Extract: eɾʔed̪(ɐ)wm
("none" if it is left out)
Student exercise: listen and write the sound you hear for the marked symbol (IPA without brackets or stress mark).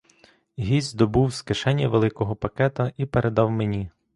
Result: ɑ